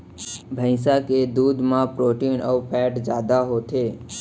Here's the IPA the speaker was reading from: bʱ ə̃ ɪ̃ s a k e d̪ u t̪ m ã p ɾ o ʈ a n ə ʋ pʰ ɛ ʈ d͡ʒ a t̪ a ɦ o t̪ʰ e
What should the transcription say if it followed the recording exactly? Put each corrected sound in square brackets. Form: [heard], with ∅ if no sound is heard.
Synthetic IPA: bʱ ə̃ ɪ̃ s a k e d̪ u [d̪] m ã p ɾ o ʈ [i] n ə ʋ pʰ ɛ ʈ d͡ʒ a [d̪] a ɦ o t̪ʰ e